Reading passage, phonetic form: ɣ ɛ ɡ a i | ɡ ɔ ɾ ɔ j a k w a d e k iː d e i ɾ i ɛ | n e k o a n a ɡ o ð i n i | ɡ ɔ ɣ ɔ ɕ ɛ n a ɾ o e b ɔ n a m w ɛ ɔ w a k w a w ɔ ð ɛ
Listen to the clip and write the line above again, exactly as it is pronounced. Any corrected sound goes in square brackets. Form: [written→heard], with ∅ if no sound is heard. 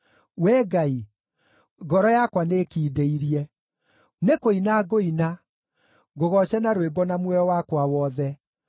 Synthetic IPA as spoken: [ɣ→w] ɛ ɡ a i | ɡ ɔ ɾ ɔ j a k w a [d→n] e k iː d e i ɾ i ɛ | n e k o [a→i] n a ɡ o [ð→∅] i n [i→a] | ɡ [ɔ→o] ɣ ɔ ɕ ɛ n a ɾ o e b ɔ n a m w ɛ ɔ w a k w a w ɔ ð ɛ